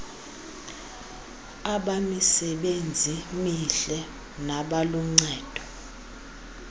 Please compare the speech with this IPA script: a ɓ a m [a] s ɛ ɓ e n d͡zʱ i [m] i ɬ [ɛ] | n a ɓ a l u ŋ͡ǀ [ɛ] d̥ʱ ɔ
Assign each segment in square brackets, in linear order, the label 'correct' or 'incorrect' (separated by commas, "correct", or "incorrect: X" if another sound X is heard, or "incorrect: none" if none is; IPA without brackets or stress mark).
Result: incorrect: i, correct, correct, incorrect: ɛː